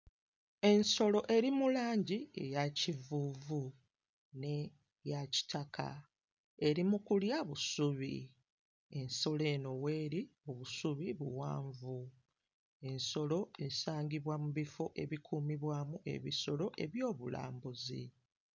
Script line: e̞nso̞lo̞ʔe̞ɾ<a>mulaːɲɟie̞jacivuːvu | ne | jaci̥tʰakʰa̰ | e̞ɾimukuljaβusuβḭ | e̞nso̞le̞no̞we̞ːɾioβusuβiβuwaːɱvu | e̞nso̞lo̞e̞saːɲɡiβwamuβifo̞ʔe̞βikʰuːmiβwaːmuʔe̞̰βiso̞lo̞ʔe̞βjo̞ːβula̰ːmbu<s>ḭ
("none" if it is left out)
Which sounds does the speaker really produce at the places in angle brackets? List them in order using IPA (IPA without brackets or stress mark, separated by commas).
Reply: i, z